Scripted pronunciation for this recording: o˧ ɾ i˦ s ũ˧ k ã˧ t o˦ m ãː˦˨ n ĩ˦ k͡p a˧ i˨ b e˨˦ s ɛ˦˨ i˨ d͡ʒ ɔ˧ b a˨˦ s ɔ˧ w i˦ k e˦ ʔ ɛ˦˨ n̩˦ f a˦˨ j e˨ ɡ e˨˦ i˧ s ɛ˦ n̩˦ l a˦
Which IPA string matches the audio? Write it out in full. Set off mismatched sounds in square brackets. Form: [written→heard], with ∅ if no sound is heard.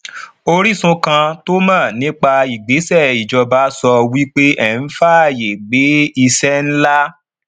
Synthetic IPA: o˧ ɾ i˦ s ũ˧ k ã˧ t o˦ m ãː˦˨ n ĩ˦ k͡p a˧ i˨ [b→ɡ͡b] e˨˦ s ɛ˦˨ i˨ d͡ʒ ɔ˧ b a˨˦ s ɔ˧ w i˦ [k→k͡p] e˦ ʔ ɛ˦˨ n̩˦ f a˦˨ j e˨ [ɡ→ɡ͡b] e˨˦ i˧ s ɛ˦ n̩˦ l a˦